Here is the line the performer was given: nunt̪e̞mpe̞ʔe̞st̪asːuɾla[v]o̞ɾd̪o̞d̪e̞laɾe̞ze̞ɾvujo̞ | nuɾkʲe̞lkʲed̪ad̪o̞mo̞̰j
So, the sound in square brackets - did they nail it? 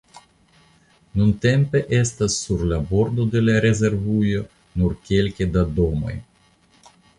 no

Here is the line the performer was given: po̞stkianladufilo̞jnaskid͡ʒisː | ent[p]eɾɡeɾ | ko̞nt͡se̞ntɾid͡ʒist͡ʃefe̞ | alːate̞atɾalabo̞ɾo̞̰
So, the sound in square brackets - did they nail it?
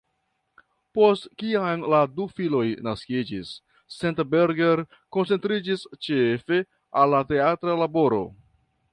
no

